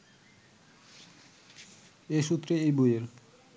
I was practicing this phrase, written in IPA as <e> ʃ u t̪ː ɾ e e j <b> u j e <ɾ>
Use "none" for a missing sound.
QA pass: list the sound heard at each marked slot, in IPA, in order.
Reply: e, b, ɾ

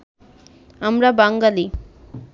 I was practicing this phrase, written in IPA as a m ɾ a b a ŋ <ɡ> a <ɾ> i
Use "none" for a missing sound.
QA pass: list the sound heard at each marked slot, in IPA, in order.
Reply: ɡ, l

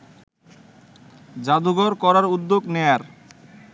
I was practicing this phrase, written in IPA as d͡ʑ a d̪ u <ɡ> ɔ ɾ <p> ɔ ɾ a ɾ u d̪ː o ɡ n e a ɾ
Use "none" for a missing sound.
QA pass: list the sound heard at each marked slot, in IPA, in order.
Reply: ɡ, k

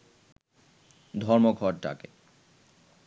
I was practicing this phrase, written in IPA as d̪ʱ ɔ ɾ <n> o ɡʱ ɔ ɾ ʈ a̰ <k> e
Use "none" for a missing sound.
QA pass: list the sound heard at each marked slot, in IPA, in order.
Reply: m, k

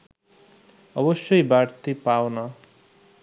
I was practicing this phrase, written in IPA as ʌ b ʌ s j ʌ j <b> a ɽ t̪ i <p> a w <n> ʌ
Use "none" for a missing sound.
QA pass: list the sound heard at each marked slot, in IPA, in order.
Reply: b, p, n

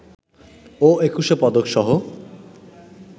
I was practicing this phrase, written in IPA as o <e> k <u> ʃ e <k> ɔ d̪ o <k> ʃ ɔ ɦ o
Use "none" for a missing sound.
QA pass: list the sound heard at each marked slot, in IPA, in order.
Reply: e, u, p, k

